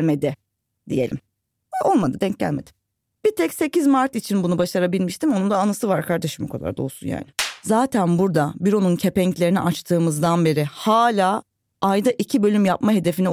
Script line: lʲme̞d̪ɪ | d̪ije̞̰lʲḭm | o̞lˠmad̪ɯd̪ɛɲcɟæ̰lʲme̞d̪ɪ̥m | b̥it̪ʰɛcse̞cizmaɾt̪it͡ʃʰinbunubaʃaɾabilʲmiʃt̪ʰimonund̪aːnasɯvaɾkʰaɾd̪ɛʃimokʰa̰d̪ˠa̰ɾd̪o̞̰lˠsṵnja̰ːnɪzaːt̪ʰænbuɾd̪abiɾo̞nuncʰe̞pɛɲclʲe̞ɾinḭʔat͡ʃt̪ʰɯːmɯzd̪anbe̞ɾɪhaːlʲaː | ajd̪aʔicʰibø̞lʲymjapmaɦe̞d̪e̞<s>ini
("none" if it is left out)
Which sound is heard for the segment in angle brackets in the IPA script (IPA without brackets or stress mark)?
f